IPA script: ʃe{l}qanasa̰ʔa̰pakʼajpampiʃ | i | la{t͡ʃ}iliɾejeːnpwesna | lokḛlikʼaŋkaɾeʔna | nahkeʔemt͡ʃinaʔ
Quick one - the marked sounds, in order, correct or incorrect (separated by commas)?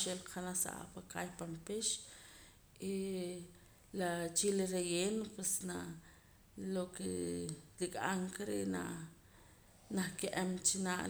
correct, correct